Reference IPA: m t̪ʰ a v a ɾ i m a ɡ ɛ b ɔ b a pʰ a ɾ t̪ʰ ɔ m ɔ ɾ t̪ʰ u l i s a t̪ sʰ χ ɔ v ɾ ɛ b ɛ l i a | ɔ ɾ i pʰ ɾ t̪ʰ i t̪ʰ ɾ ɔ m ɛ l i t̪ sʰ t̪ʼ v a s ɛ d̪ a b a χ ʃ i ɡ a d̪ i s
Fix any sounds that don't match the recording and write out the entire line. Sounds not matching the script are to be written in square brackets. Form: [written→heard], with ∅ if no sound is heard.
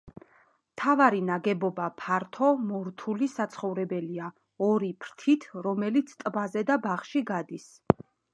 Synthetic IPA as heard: m t̪ʰ a v a ɾ i [m→n] a ɡ ɛ b ɔ b a pʰ a ɾ t̪ʰ ɔ m ɔ ɾ t̪ʰ u l i s a t̪ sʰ χ ɔ v ɾ ɛ b ɛ l i a | ɔ ɾ i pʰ ɾ t̪ʰ i t̪ʰ ɾ ɔ m ɛ l i t̪ sʰ t̪ʼ [v→b] a [s→z] ɛ d̪ a b a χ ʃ i ɡ a d̪ i s